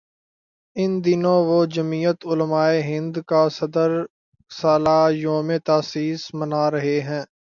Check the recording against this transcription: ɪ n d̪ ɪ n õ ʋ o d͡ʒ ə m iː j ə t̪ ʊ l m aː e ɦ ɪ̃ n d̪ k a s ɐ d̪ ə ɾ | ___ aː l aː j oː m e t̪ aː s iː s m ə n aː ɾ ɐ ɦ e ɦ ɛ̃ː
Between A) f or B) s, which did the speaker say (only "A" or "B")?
B